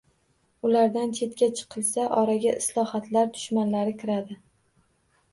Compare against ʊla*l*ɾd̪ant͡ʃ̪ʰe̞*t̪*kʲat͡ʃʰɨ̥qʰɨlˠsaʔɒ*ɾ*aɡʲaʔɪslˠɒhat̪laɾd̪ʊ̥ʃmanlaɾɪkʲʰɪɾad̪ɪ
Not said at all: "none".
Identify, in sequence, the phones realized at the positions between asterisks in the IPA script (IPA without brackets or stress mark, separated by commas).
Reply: none, t̪, ɾ